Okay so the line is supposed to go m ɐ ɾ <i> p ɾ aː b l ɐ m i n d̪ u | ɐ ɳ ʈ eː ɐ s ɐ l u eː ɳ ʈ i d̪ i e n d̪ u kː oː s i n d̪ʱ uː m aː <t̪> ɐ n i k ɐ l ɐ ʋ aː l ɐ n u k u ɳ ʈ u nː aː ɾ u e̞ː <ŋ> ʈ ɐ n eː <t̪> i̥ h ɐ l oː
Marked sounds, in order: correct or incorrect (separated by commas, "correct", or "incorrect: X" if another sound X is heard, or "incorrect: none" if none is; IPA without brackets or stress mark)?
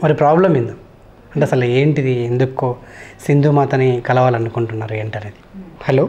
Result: correct, correct, incorrect: ɳ, incorrect: d̪